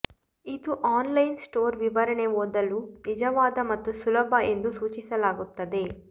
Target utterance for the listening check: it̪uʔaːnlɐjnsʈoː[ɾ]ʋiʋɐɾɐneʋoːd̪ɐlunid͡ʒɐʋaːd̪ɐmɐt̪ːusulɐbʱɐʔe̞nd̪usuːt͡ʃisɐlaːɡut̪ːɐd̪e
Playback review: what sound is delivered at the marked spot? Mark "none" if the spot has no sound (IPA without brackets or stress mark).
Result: ɾ